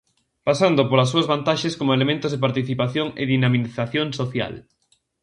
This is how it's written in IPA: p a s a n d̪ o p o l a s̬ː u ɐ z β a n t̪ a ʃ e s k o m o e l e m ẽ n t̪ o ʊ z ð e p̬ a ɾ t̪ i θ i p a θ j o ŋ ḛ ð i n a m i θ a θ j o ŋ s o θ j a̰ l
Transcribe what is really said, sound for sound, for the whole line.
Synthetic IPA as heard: p a s a n d̪ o p o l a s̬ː u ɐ z β a n t̪ a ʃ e s k o m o e l e m ẽ n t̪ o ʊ z ð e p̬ a ɾ t̪ i θ i p a θ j o ŋ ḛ ð i n a m i θ a θ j o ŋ s o θ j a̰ l